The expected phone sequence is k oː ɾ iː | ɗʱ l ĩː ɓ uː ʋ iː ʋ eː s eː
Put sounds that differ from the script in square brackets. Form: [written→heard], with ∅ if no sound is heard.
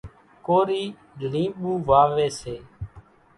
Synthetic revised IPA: k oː ɾ iː | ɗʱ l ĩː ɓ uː ʋ [iː→aː] ʋ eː s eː